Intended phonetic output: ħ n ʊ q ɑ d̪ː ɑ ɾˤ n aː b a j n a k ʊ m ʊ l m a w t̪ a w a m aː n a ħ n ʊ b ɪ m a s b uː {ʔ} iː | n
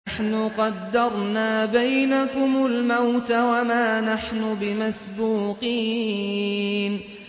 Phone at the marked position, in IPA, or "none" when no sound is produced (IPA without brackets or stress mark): q